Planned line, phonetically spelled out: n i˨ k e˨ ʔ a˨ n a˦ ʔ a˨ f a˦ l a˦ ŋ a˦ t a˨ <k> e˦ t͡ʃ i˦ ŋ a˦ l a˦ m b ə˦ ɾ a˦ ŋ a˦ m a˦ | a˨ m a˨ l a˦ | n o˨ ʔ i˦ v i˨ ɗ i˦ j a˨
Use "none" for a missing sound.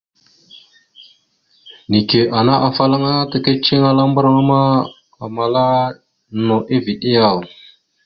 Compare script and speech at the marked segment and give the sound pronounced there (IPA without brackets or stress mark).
k